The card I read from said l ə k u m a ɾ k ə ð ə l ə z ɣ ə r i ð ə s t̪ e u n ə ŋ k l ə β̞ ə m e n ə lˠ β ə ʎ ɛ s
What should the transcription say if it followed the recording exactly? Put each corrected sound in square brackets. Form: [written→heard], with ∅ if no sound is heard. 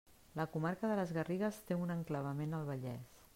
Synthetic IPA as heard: l ə k u m a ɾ k ə ð ə l ə z ɣ ə r i [ð→ɣ] ə s t̪ e u n ə ŋ k l ə β̞ ə m e n ə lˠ β ə ʎ ɛ s